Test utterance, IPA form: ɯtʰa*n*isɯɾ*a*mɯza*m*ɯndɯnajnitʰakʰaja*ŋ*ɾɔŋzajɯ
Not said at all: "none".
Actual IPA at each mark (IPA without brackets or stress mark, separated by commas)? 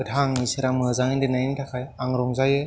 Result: ŋ, a, ŋ, ŋ